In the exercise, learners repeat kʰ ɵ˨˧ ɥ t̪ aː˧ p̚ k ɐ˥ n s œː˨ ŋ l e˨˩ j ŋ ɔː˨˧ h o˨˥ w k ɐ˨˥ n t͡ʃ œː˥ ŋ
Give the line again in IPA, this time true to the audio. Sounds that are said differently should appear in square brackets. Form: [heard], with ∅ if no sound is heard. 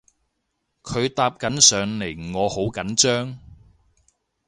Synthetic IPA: kʰ ɵ˨˧ ɥ t̪ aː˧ p̚ k [ɐ˨˥] n s œː˨ ŋ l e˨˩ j ŋ ɔː˨˧ h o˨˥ w k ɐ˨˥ n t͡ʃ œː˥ ŋ